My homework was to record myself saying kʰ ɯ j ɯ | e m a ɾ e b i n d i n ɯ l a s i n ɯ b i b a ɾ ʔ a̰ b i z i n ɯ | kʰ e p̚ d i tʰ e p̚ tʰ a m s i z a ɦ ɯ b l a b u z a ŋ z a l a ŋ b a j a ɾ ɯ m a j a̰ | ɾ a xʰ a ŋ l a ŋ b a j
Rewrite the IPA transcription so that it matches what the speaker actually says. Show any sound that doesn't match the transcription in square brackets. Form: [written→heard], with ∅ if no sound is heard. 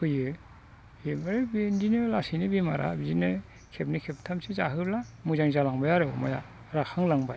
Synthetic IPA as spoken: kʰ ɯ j ɯ | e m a ɾ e b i n d i n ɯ l a s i n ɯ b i [b→m] a ɾ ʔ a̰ b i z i n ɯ | kʰ e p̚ [d→n] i [tʰ→kʰ] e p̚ tʰ a m s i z a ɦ ɯ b l a [b→m] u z a ŋ z a l a ŋ b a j a ɾ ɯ m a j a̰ | ɾ a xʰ a ŋ l a ŋ b a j

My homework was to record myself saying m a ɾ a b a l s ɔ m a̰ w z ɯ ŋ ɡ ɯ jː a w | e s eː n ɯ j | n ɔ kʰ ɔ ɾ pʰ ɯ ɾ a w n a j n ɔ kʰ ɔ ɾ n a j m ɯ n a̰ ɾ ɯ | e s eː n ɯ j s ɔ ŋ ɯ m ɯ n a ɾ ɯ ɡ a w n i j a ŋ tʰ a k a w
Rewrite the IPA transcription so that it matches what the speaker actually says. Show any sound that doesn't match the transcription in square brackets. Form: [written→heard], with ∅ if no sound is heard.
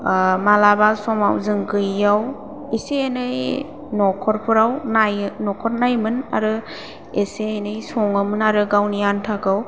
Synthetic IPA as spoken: m a [ɾ→l] a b a l s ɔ m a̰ w z ɯ ŋ ɡ ɯ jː a w | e s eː n ɯ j | n ɔ kʰ ɔ ɾ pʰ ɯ ɾ a w n a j n ɔ kʰ ɔ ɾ n a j m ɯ n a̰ ɾ ɯ | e s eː n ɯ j s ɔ ŋ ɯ m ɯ n a ɾ ɯ ɡ a w n i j a [ŋ→n] tʰ a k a w

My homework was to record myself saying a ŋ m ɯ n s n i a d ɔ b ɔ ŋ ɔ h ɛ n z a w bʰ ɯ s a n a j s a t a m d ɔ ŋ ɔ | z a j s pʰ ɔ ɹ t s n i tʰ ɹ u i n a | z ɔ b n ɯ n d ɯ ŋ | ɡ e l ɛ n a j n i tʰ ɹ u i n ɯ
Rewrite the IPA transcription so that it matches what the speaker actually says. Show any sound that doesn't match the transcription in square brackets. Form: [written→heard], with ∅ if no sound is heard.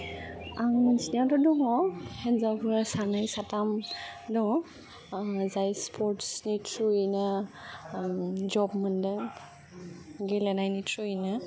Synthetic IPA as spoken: a ŋ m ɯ n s n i a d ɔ [b→d] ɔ ŋ ɔ h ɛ n z a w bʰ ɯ s a n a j s a t a m d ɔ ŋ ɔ | z a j s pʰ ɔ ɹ t s n i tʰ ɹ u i n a | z ɔ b [n→m] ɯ n d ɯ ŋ | ɡ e l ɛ n a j n i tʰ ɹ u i n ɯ

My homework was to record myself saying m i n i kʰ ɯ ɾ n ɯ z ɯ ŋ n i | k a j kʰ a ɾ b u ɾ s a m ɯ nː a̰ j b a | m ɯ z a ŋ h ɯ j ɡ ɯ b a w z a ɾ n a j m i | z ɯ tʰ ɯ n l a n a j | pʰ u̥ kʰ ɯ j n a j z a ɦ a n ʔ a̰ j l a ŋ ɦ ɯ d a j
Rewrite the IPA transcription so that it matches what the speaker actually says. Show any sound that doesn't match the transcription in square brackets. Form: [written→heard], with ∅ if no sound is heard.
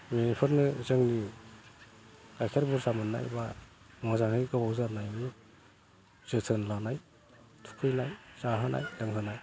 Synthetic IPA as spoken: m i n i [kʰ→pʰ] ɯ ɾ n ɯ z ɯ ŋ n i | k a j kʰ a ɾ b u ɾ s a m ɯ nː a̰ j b a | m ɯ z a ŋ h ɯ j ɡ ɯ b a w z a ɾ n a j m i | z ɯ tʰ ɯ n l a n a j | [pʰ→tʰ] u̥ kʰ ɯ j n a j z a ɦ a n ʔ a̰ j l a ŋ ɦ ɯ [d→n] a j

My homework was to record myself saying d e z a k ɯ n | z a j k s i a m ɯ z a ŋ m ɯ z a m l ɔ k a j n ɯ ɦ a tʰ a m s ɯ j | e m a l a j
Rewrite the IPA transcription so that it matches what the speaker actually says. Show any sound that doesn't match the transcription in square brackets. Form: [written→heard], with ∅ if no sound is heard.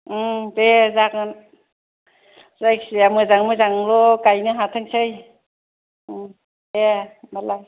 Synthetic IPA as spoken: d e z a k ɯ n | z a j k s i a m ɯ z a ŋ m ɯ z a [m→ŋ] l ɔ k a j n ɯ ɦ a tʰ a [m→ŋ] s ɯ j | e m a l a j

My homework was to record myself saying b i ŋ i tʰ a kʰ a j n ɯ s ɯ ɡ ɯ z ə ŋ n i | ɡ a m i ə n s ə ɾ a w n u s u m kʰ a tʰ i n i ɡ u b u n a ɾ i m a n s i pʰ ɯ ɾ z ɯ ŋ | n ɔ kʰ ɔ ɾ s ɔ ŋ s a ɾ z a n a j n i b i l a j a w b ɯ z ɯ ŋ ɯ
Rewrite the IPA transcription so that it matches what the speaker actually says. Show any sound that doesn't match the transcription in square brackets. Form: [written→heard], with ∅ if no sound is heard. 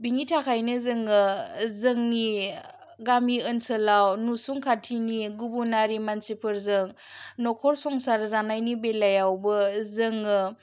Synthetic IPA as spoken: b i ŋ i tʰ a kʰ a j n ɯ [s→z] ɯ [ɡ→ŋ] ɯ z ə ŋ n i | ɡ a m i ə n s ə [ɾ→l] a w n u s u [m→ŋ] kʰ a tʰ i n i ɡ u b u n a ɾ i m a n s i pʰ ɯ ɾ z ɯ ŋ | n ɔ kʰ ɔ ɾ s ɔ ŋ s a ɾ z a n a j n i b [i→e] l a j a w b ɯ z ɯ ŋ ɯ

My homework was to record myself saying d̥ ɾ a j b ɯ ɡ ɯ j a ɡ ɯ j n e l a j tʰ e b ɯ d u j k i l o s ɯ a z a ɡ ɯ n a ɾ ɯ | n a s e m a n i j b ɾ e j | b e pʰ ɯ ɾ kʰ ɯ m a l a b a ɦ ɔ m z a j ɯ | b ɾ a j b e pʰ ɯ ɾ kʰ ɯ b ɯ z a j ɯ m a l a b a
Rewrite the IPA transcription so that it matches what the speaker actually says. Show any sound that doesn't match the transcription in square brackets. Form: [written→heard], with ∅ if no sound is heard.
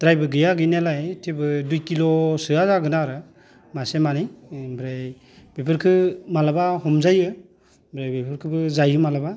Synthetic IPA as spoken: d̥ ɾ a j b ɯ ɡ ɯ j a ɡ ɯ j n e l a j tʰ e b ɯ d u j k i l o s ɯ a z a ɡ ɯ n a ɾ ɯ | [n→m] a s e m a n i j b ɾ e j | b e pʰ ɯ ɾ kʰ ɯ m a l a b a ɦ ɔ m z a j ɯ | b ɾ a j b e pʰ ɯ ɾ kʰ ɯ b ɯ z a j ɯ m a l a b a

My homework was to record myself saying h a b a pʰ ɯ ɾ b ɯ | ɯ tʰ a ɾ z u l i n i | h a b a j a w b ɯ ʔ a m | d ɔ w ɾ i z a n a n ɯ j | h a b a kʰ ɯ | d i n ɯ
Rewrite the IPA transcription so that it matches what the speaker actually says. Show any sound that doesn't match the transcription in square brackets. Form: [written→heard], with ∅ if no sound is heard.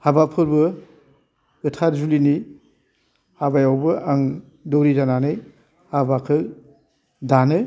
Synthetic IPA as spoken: h a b a pʰ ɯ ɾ b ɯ | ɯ tʰ a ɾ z u l i n i | h a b a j a w b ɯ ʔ a [m→ŋ] | d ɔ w ɾ i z a n a n ɯ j | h a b a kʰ ɯ | d [i→a] n ɯ

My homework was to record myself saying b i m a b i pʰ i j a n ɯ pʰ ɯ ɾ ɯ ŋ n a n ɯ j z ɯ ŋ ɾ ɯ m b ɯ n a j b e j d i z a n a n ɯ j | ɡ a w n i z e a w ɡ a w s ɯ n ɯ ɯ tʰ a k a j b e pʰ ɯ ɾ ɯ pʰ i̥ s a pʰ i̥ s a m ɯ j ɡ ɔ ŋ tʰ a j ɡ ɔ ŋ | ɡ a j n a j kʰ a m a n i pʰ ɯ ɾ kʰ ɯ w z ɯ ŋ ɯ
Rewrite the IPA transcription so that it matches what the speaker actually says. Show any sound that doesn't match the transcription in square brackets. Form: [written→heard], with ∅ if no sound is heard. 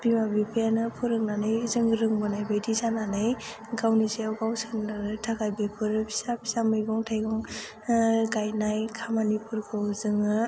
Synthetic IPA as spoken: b i m a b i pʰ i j a n ɯ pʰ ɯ ɾ ɯ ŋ n a n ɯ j z ɯ ŋ ɾ ɯ [m→ŋ] b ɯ n a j b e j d i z a n a n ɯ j | ɡ a w n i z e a w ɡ a w s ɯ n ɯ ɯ tʰ a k a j b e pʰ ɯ ɾ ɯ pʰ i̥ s a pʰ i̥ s a m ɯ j ɡ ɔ ŋ tʰ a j ɡ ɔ ŋ | ɡ a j n a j kʰ a m a n i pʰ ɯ ɾ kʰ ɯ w z ɯ ŋ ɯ

